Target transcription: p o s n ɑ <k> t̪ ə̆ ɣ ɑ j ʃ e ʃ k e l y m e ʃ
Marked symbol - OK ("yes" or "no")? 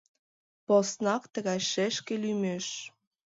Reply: yes